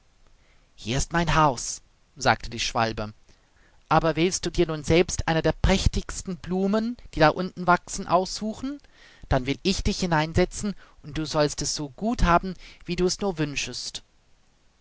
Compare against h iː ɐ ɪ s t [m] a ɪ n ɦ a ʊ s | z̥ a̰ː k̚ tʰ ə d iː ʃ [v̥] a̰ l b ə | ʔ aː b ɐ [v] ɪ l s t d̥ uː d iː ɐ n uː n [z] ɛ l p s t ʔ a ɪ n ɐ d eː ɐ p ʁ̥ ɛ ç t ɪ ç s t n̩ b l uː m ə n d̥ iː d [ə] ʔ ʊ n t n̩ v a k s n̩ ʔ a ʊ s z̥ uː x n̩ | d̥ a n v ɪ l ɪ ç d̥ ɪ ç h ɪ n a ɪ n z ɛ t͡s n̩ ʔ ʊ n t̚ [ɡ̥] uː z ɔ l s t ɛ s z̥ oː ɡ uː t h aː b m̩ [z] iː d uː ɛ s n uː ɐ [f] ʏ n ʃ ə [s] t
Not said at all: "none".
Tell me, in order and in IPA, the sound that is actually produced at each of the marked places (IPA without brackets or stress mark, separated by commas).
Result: m, v̥, v, z, a, d̥, v, v, s